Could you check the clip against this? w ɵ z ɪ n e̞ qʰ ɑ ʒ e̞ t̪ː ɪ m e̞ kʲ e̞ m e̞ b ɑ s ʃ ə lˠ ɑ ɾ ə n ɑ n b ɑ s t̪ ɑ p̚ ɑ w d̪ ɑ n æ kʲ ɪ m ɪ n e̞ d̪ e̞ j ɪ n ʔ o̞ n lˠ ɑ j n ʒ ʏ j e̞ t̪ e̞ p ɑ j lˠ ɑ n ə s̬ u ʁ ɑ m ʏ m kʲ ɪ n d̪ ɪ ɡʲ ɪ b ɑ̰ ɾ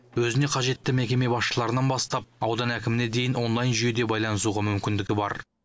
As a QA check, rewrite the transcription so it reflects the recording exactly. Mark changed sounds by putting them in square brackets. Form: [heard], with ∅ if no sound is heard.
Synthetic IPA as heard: w ɵ z ɪ n e̞ qʰ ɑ ʒ e̞ t̪ː ɪ m e̞ kʲ e̞ m e̞ b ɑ s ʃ ə lˠ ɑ ɾ ə n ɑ n b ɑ s t̪ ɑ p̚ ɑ w d̪ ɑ n æ kʲ ɪ m ɪ n e̞ d̪ e̞ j ɪ n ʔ o̞ n lˠ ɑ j n ʒ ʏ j e̞ [d̪] e̞ [b] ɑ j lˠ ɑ n ə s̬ u ʁ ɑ m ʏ m kʲ ɪ n d̪ ɪ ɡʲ ɪ b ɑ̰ ɾ